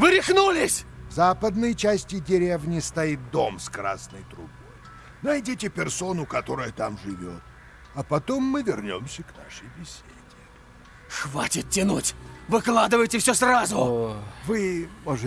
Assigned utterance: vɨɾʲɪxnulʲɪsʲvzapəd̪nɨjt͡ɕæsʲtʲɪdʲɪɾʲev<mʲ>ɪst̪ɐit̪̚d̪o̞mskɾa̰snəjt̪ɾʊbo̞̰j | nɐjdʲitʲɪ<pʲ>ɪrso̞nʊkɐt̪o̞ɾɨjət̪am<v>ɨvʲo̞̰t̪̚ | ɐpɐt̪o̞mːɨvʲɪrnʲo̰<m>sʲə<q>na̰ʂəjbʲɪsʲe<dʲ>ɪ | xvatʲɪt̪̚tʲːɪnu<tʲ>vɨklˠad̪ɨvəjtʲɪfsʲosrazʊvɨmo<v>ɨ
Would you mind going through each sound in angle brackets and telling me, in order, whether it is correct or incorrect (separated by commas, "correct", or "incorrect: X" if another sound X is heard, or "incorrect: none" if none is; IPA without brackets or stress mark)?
incorrect: nʲ, correct, incorrect: ʐ, correct, incorrect: k, correct, correct, incorrect: ʐ